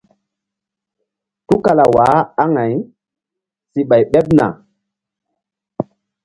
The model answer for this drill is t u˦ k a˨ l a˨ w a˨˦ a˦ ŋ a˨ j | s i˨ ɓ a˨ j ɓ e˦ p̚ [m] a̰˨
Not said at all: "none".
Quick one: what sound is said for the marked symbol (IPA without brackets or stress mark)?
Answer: n